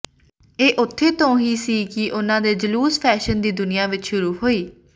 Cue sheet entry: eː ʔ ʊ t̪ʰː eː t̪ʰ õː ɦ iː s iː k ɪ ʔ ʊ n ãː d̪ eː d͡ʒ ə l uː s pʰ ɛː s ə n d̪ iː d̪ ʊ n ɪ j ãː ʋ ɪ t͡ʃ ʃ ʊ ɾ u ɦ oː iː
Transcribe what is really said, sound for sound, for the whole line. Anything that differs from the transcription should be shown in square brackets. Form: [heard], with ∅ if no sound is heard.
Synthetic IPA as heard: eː ʔ ʊ t̪ʰː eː [t̪] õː ɦ iː s iː k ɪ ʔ ʊ n ãː d̪ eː d͡ʒ ə l uː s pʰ ɛː [ʃ] ə n d̪ iː d̪ ʊ n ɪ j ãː ʋ ɪ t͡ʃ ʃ ʊ ɾ [uː] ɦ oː iː